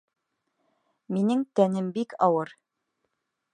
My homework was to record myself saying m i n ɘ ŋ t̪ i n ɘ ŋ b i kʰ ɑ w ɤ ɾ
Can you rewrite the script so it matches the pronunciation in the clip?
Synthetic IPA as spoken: m i n ɘ ŋ t̪ æ n ɘ m b i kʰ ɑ w ɤ ɾ